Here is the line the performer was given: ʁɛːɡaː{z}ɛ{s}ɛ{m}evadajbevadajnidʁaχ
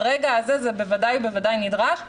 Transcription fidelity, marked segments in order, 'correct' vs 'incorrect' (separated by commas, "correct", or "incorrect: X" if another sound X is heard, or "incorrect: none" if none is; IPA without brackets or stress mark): correct, incorrect: z, incorrect: b